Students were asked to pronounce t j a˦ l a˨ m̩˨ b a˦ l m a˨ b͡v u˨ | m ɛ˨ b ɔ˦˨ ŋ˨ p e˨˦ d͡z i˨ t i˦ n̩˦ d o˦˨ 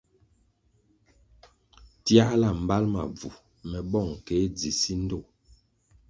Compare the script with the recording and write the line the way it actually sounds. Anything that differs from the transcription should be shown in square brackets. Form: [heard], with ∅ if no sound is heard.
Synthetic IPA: t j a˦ l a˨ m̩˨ b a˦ l m a˨ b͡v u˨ | m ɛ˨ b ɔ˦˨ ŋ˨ [k] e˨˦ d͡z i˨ [s] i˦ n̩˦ d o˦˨